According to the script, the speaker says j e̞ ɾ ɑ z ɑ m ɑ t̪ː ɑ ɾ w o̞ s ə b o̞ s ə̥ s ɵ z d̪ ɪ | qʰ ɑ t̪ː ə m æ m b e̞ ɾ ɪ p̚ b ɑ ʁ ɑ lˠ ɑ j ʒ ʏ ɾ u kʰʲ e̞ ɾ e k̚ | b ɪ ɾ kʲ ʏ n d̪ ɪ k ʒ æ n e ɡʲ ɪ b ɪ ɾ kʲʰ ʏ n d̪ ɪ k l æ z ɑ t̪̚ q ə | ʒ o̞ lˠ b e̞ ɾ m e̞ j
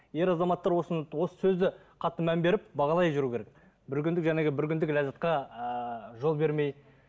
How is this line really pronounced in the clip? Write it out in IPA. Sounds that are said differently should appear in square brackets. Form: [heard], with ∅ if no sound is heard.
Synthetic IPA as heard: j e̞ ɾ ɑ z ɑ m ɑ t̪ː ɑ ɾ w o̞ s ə [w] o̞ s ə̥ s ɵ z d̪ ɪ | qʰ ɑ t̪ː ə m æ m b e̞ ɾ ɪ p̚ b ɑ ʁ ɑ lˠ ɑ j ʒ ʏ ɾ u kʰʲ e̞ ɾ e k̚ | b ɪ ɾ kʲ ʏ n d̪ ɪ k ʒ æ n e ɡʲ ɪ b ɪ ɾ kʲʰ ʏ n d̪ ɪ k l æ z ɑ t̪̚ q [ɑ] | ʒ o̞ lˠ b e̞ ɾ m e̞ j